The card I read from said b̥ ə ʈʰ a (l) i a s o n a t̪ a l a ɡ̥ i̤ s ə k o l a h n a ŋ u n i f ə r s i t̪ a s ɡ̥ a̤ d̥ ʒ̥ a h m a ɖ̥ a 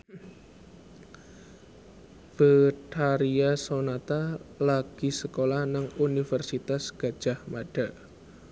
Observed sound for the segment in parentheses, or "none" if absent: ɾ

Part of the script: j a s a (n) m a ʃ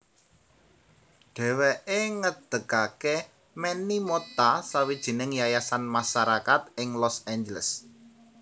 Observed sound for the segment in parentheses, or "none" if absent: n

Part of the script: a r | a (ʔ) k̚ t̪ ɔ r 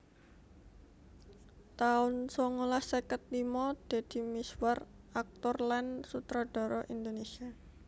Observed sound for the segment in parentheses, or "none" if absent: none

